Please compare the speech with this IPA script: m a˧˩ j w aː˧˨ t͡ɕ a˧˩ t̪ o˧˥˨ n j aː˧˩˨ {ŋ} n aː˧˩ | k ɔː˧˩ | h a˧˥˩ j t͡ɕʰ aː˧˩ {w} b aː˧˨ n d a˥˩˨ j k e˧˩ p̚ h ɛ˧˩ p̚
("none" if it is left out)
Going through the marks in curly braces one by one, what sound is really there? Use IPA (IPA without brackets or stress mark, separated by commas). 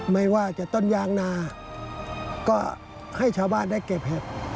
ŋ, w